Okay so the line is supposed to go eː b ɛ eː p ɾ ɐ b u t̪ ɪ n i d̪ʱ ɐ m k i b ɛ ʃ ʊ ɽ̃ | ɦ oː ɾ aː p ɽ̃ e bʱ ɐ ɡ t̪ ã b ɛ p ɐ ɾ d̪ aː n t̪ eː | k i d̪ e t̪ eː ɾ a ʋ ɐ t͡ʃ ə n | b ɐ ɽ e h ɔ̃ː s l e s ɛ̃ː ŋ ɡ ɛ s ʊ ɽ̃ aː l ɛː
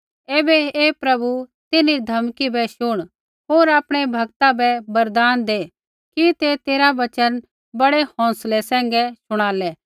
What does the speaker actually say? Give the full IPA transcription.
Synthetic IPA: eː b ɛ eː p ɾ ɐ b u t̪ ɪ n i d̪ʱ ɐ m k i b ɛ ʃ ʊ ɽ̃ | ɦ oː ɾ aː p ɽ̃ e bʱ ɐ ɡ t̪ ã b ɛ b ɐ ɾ d̪ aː n d̪ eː | k i t̪ e t̪ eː ɾ a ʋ ɐ t͡ʃ ə n | b ɐ ɽ e h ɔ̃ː s l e s ɛ̃ː ŋ ɡ ɛ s ʊ ɽ̃ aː l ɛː